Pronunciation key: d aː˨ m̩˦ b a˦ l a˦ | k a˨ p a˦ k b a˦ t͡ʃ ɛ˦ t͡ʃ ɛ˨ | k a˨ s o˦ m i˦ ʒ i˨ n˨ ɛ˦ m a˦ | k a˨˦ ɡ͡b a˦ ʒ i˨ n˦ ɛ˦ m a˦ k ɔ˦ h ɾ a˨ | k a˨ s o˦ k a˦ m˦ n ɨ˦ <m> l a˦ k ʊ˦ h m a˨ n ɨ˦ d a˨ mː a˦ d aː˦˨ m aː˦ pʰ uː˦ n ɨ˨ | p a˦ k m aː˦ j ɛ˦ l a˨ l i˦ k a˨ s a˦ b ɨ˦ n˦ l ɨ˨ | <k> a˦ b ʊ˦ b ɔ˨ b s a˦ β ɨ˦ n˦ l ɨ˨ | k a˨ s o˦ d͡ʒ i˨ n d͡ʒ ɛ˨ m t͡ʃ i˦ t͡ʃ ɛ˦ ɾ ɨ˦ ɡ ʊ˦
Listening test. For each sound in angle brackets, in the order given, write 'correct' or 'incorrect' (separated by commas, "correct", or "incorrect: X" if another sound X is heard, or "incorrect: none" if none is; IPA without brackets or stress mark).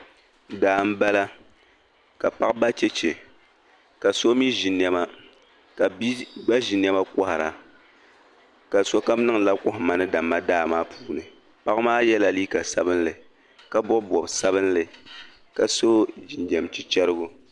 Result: incorrect: ŋ, correct